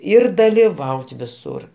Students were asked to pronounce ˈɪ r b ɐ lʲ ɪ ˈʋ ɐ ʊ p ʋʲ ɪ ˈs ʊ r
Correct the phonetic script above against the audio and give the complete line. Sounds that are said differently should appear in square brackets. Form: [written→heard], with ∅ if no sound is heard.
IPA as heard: ˈɪ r [b→d] ɐ lʲ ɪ ˈʋ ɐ ʊ [p→t] ʋʲ ɪ ˈs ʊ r